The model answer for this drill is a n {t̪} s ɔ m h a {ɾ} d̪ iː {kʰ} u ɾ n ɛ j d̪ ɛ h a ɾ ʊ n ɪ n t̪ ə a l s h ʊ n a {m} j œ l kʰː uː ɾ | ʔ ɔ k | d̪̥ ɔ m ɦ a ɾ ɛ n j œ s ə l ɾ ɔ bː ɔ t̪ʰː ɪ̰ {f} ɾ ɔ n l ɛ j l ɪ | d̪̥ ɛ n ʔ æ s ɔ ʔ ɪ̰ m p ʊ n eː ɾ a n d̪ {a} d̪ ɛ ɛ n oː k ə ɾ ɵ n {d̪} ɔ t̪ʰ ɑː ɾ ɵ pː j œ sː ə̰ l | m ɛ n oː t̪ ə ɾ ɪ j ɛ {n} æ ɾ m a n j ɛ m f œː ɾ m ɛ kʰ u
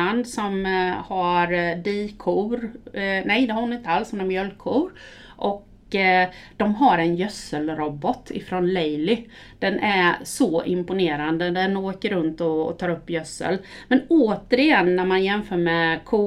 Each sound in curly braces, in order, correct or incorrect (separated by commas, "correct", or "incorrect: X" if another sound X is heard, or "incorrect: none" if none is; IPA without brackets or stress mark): incorrect: d̪, correct, correct, correct, correct, incorrect: ə, incorrect: t̪, incorrect: nː